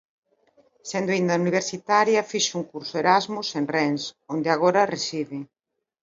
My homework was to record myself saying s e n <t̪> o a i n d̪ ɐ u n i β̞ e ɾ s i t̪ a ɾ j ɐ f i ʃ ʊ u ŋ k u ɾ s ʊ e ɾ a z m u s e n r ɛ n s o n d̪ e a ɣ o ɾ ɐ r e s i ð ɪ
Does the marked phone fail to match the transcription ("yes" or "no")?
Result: yes